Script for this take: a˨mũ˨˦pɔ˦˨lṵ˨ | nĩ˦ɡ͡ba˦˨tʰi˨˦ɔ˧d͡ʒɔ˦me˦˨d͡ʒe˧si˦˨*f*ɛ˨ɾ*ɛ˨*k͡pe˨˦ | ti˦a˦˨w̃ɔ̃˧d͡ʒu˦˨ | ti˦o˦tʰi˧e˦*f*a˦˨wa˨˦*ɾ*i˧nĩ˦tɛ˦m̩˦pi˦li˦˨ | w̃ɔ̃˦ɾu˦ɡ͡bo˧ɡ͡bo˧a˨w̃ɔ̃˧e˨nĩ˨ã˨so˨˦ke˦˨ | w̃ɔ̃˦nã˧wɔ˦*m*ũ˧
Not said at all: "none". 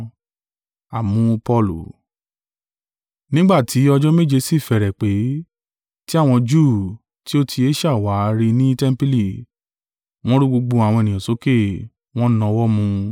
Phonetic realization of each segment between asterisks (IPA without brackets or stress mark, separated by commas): f, ɛ˨, ʃ, ɾ, m